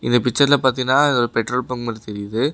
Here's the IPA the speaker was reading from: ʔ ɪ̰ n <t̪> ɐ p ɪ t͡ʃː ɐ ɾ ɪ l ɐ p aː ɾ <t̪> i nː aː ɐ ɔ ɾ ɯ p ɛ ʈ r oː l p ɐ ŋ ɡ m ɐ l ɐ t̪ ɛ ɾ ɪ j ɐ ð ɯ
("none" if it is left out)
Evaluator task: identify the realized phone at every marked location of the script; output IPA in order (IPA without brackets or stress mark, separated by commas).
d̪, t̪